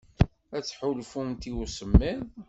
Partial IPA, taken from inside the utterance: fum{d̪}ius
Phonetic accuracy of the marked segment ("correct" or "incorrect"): incorrect